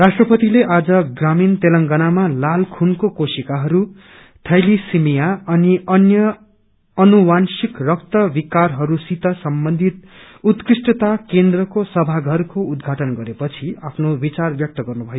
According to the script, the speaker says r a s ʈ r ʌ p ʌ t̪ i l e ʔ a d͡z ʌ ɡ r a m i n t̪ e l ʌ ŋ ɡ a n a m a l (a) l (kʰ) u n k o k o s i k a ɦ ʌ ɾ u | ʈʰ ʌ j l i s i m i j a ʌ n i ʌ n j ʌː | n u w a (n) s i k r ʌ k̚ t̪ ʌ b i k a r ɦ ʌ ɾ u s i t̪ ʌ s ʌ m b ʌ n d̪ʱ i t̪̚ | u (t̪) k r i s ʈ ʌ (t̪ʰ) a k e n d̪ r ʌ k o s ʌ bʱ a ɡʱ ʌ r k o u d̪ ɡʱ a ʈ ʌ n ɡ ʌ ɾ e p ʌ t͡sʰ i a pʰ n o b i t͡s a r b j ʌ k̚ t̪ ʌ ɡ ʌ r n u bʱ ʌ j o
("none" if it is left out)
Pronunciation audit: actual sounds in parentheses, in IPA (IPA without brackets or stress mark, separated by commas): a, kʰ, n, t̪, t̪